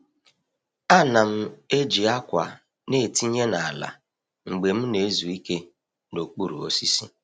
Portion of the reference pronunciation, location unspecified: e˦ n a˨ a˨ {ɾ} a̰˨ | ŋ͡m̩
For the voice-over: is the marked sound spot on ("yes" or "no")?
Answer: no